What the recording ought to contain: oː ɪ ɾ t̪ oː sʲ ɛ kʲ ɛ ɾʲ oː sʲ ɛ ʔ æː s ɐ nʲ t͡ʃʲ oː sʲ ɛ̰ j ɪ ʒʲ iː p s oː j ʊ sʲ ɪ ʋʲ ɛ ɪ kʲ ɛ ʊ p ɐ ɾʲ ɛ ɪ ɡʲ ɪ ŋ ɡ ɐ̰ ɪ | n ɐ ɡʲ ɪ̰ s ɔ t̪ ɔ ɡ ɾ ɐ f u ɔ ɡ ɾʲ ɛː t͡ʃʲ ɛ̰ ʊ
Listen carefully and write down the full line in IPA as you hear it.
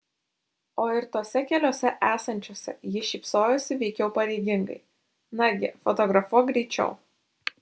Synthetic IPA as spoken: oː ɪ ɾ t̪ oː sʲ ɛ kʲ ɛ lʲ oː sʲ ɛ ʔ æː s ɐ nʲ t͡ʃʲ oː sʲ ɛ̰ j ɪ ʃʲ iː p s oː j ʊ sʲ ɪ ʋʲ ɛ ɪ kʲ ɛ ʊ p ɐ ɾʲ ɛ ɪ ɡʲ ɪ ŋ ɡ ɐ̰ ɪ | n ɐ ɡʲ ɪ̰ f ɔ t̪ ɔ ɡ ɾ ɐ f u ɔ ɡ ɾʲ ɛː t͡ʃʲ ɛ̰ ʊ

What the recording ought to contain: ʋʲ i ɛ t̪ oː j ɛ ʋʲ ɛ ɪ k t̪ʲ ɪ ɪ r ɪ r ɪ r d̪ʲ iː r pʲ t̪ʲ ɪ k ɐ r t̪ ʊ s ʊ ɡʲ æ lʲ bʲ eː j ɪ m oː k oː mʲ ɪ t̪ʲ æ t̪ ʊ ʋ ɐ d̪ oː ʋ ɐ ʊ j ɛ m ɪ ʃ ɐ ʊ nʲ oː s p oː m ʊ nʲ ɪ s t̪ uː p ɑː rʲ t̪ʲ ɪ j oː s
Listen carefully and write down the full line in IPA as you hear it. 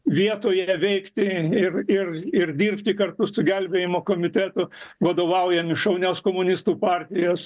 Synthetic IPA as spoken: ʋʲ i ɛ t̪ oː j ɛ ʋʲ ɛ ɪ k t̪ʲ ɪ ɪ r ɪ r ɪ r d̪ʲ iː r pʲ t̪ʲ ɪ k ɐ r t̪ ʊ s ʊ ɡʲ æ lʲ bʲ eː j ɪ m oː k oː mʲ ɪ t̪ʲ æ t̪ ʊ ʋ ɐ d̪ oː ʋ ɐ ʊ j ɛ m ɪ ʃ ɐ ʊ nʲ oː s k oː m ʊ nʲ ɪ s t̪ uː p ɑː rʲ t̪ʲ ɪ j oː s

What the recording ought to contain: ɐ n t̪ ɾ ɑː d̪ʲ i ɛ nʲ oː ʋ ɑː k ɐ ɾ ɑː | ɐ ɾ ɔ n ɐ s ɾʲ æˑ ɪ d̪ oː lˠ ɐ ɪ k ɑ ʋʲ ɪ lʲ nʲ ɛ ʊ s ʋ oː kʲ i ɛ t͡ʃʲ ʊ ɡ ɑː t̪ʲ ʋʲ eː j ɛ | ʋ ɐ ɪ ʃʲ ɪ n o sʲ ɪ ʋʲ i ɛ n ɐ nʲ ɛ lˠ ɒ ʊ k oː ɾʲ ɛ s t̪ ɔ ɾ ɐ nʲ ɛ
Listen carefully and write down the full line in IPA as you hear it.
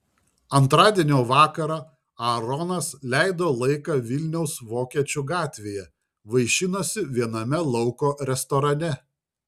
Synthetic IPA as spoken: ɐ n t̪ ɾ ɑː d̪ʲ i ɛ nʲ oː ʋ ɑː k ɐ ɾ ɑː | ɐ ɾ ɔ n ɐ s lʲ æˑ ɪ d̪ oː lˠ ɐ ɪ k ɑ ʋʲ ɪ lʲ nʲ ɛ ʊ s ʋ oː kʲ i ɛ t͡ʃʲ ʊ ɡ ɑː t̪ʲ ʋʲ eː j ɛ | ʋ ɐ ɪ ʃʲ ɪ n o sʲ ɪ ʋʲ i ɛ n ɐ mʲ ɛ lˠ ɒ ʊ k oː ɾʲ ɛ s t̪ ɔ ɾ ɐ nʲ ɛ

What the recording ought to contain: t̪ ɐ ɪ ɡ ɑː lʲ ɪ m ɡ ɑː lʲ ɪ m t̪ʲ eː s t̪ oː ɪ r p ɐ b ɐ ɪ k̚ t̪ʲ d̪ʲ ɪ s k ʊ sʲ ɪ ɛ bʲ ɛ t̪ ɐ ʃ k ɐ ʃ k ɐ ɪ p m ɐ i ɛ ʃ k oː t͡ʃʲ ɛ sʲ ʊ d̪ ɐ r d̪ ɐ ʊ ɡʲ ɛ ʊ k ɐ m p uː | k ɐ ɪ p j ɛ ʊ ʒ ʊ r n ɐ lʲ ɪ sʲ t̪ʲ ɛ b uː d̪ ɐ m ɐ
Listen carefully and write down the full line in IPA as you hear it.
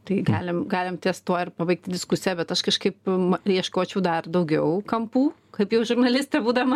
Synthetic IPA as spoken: t̪ ɐ ɪ ɡ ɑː lʲ ɪ m ɡ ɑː lʲ ɪ m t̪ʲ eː s t̪ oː ɪ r p ɐ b ɐ ɪ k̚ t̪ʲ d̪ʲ ɪ s k ʊ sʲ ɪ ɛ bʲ ɛ t̪ ɐ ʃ k ɐ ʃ k ɐ ɪ p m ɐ i ɛ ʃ k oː t͡ʃʲ ɛ ʊ d̪ ɐ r d̪ ɐ ʊ ɡʲ ɛ ʊ k ɐ m p uː | k ɐ ɪ p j ɛ ʊ ʒ ʊ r n ɐ lʲ ɪ sʲ t̪ʲ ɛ b uː d̪ ɐ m ɐ

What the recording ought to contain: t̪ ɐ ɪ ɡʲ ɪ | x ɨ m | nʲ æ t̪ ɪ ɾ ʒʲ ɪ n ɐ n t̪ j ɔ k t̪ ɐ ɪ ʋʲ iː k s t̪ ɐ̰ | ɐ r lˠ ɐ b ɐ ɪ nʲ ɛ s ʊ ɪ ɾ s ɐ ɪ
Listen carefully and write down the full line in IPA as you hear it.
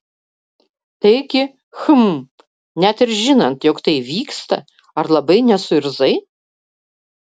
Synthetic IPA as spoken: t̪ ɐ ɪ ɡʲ ɪ | x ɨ m | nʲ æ t̪ ɪ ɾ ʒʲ ɪ n ɐ n t̪ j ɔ k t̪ ɐ ɪ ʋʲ iː k s t̪ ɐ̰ | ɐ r lˠ ɐ b ɐ ɪ nʲ ɛ s ʊ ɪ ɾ z ɐ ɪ

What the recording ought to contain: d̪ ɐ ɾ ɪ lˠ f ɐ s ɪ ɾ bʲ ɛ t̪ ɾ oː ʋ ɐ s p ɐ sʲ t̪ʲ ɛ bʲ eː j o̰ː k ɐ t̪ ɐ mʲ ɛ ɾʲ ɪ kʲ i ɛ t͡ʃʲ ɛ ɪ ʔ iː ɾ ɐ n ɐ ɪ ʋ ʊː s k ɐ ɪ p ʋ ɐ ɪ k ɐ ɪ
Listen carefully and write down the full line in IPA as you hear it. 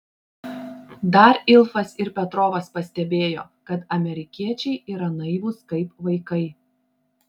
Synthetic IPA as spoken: d̪ ɐ ɾ ɪ lˠ f ɐ s ɪ ɾ pʲ ɛ t̪ ɾ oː ʋ ɐ s p ɐ sʲ t̪ʲ ɛ bʲ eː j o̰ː k ɐ t̪ ɐ mʲ ɛ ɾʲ ɪ kʲ i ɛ t͡ʃʲ ɛ ɪ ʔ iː ɾ ɐ n ɐ ɪ ʋ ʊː s k ɐ ɪ p ʋ ɐ ɪ k ɐ ɪ

